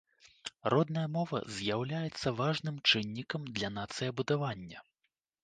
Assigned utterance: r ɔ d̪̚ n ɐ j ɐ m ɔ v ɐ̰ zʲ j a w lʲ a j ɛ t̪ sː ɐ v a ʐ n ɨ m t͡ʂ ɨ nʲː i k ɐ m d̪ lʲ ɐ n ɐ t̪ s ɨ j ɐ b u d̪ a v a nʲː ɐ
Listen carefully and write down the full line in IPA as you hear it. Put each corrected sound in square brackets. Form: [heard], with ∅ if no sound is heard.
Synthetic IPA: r ɔ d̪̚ n ɐ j ɐ m ɔ v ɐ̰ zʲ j a w lʲ a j ɛ t̪ sː ɐ v a ʐ n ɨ m t͡ʂ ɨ nʲː i k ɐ m d̪ lʲ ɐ n [a] t̪ s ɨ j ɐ b u d̪ a v a nʲː ɐ